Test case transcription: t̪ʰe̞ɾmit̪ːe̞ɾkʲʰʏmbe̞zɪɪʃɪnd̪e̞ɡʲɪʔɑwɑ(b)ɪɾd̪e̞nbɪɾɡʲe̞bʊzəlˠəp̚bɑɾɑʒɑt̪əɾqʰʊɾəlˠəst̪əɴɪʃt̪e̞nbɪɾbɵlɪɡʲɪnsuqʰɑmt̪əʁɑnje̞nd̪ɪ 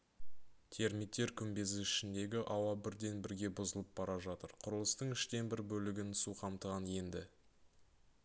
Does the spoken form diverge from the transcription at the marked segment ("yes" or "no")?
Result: no